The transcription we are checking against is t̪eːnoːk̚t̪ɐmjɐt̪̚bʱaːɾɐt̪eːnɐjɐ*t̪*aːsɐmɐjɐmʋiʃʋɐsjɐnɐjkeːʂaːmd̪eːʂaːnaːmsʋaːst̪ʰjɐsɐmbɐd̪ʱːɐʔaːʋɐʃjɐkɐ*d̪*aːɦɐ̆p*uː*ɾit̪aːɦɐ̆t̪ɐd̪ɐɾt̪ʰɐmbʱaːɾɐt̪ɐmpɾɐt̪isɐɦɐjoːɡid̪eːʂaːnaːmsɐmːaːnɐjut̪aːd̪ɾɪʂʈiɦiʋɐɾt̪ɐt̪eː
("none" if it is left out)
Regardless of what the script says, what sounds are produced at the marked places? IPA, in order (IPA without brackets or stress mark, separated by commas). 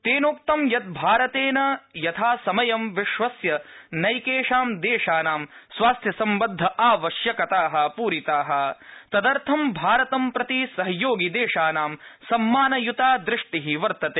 t̪ʰ, t̪, uː